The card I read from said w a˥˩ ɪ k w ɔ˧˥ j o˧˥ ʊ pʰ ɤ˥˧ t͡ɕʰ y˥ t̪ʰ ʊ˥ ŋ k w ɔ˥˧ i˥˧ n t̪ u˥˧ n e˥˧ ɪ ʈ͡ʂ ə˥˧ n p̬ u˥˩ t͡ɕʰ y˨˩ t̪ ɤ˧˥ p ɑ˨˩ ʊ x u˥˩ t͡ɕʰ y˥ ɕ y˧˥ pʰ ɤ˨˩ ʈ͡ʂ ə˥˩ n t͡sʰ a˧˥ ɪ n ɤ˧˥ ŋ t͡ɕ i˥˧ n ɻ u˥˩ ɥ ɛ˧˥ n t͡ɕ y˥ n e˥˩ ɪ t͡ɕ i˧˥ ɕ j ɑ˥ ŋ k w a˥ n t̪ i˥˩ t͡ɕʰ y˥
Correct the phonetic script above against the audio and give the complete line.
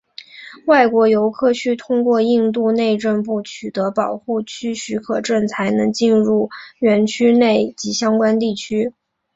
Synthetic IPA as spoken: w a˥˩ ɪ k w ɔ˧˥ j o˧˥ ʊ kʰ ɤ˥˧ t͡ɕʰ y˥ t̪ʰ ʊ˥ ŋ k w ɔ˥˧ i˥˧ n t̪ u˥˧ n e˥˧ ɪ ʈ͡ʂ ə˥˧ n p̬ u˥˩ t͡ɕʰ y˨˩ t̪ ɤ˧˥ p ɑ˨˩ ʊ x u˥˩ t͡ɕʰ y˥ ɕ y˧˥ kʰ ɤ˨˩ ʈ͡ʂ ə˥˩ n t͡sʰ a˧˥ ɪ n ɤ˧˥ ŋ t͡ɕ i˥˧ n ɻ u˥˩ ɥ ɛ˧˥ n t͡ɕʰ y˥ n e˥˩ ɪ t͡ɕ i˧˥ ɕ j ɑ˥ ŋ k w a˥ n t̪ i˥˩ t͡ɕʰ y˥